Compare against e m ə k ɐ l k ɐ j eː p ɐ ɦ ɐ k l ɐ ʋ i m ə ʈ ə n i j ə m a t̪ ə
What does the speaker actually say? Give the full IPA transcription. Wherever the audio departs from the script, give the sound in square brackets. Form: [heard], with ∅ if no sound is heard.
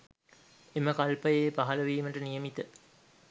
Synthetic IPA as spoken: e m ə k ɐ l [p] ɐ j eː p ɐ ɦ ɐ [∅] l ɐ ʋ [iː] m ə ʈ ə n i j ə m [i] t̪ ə